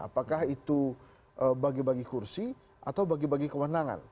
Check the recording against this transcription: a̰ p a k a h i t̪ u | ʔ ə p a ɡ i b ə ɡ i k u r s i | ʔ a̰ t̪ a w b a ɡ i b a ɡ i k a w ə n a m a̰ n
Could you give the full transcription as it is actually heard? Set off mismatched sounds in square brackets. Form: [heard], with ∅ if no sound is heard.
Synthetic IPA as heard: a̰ p a k a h i t̪ u | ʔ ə [b] a ɡ i b [a] ɡ i k u r s i | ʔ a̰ t̪ a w b a ɡ i b a ɡ i k [ə] w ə n a [ŋ] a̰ n